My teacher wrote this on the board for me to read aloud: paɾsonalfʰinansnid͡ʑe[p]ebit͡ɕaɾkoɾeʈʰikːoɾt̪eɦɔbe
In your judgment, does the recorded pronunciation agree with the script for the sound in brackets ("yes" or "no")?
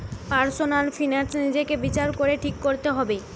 no